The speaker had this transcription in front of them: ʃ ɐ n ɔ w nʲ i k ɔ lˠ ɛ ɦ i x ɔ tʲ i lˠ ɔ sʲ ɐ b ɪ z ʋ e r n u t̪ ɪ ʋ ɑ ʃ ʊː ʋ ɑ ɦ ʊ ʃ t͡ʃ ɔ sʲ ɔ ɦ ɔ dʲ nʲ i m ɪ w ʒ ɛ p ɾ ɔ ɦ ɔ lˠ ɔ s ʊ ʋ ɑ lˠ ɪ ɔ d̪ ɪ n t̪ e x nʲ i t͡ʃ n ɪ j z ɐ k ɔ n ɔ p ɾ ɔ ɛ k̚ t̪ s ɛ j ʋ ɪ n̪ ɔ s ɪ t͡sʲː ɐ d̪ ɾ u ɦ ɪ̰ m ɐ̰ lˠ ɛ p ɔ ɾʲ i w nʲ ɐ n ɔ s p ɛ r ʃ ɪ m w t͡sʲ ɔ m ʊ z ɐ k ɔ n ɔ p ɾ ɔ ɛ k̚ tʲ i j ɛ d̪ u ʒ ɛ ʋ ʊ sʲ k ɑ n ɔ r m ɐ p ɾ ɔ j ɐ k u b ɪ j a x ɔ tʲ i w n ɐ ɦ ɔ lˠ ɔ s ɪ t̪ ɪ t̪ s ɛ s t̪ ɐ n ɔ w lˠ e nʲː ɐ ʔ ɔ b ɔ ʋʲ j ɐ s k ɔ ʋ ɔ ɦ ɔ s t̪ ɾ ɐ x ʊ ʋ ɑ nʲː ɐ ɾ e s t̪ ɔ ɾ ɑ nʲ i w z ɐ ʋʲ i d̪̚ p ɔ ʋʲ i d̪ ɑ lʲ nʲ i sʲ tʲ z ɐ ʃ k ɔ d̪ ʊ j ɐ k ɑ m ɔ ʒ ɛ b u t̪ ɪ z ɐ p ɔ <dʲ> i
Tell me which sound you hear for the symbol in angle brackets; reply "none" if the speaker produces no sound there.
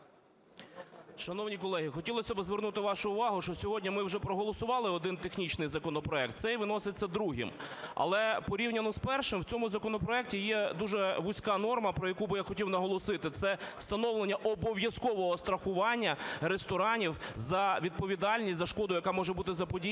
dʲ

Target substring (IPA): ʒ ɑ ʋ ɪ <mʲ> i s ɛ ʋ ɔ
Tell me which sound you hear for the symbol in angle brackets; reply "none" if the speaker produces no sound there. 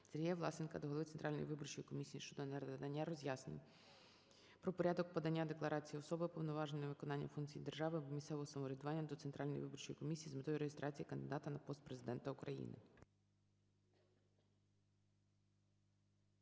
mʲ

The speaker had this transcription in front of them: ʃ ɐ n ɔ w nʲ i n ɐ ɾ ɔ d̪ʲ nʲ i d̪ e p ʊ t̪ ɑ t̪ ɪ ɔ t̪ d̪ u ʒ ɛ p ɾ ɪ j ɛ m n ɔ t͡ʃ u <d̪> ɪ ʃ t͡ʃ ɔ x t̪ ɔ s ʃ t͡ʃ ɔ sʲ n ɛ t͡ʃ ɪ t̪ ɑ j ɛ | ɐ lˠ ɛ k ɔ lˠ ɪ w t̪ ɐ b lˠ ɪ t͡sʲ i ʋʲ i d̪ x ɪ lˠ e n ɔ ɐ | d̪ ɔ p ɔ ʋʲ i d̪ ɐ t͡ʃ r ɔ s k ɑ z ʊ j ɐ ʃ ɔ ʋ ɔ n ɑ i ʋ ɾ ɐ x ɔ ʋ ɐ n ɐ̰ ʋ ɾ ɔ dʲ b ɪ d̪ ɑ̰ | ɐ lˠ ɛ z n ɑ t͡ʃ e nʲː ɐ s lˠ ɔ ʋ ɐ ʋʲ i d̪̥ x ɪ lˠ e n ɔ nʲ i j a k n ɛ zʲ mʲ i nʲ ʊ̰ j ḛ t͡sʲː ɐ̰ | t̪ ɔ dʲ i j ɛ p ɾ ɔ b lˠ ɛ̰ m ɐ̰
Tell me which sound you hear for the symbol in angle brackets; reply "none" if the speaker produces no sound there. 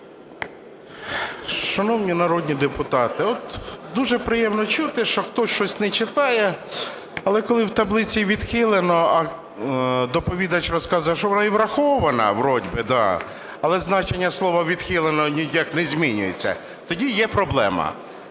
t̪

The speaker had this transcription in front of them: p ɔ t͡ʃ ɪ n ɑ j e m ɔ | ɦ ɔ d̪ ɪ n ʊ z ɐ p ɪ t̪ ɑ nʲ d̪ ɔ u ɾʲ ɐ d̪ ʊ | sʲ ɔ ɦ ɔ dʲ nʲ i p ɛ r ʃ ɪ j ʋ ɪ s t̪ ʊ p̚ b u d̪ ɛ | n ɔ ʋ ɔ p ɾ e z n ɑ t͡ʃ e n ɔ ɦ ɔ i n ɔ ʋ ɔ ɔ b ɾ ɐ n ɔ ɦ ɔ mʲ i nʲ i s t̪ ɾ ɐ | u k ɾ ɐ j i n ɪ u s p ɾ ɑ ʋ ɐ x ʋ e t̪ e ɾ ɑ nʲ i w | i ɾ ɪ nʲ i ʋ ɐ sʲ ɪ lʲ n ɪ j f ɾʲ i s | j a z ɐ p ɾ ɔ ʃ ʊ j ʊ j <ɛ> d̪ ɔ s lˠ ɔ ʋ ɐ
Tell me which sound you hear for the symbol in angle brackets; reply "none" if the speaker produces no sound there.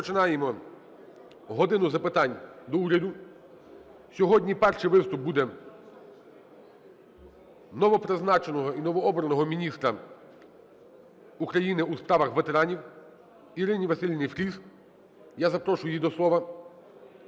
i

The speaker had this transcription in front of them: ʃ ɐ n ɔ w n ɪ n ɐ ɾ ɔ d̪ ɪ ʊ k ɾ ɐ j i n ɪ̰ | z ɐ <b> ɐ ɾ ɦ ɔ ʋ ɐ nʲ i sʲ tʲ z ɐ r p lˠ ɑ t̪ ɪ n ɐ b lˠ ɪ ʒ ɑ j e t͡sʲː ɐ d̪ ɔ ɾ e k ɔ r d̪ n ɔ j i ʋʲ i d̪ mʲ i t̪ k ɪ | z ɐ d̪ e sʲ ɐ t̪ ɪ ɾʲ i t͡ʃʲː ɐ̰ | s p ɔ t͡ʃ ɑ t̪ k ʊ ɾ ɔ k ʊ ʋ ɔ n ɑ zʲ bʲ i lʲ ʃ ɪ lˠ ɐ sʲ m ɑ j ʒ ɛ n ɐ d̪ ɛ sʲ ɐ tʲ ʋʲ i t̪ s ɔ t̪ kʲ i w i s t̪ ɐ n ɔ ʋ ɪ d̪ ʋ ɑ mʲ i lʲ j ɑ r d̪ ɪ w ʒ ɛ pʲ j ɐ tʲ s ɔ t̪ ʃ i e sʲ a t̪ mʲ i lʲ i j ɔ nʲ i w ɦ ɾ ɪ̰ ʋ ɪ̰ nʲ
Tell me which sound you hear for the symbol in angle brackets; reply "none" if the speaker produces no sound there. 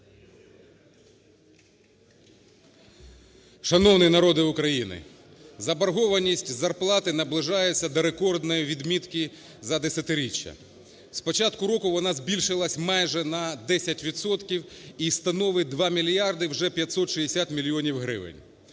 b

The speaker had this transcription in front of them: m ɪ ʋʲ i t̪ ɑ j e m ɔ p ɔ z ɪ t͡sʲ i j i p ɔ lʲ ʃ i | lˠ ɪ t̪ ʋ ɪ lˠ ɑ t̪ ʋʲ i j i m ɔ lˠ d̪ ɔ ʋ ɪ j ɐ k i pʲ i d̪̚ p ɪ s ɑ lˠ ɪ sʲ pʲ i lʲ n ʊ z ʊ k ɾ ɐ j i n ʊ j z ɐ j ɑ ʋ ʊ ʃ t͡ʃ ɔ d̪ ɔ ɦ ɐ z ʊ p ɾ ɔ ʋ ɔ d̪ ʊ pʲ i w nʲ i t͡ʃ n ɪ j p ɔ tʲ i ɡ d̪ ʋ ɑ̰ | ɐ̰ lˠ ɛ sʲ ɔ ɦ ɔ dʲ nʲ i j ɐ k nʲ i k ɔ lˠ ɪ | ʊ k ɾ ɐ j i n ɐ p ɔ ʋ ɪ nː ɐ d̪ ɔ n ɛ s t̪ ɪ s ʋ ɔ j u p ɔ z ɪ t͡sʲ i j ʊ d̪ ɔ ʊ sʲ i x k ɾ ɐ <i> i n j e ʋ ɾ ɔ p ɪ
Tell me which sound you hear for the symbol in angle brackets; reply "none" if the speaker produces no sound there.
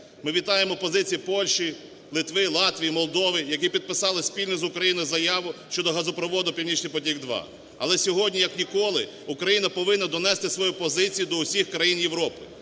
j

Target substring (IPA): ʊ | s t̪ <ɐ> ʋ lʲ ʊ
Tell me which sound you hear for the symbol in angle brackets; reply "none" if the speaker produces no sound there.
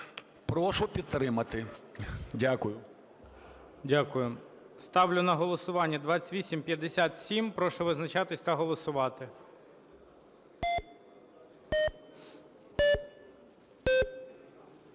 ɑ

